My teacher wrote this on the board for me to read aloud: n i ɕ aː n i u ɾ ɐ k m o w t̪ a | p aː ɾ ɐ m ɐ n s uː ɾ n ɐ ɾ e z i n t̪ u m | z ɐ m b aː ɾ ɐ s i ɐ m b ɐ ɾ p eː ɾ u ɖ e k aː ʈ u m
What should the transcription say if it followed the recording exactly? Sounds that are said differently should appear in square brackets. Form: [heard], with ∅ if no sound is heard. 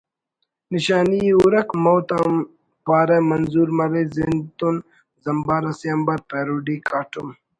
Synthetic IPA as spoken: n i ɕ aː n i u ɾ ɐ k m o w t̪ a | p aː ɾ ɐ m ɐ n [z] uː ɾ [m] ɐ ɾ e z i n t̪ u [n] | z ɐ m b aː ɾ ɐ s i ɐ m b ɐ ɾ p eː ɾ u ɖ [i] k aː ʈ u m